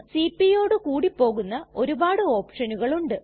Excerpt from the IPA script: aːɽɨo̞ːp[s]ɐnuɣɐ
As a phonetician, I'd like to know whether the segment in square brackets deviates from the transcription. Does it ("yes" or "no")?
yes